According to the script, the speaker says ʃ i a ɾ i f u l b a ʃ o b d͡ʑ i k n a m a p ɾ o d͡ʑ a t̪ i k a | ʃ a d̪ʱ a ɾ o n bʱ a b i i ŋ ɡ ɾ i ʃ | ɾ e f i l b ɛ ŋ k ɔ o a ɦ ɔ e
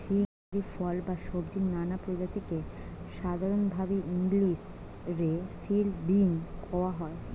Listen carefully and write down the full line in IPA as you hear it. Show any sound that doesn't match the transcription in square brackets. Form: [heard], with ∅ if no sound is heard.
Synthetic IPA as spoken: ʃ i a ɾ i f [ɔ] l b a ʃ o b d͡ʑ i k n a [n] a p ɾ o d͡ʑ a t̪ i k [e] | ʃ a d̪ʱ a ɾ o n bʱ a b i i ŋ ɡ [l] i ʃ | ɾ e f i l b [i] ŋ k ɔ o a ɦ ɔ e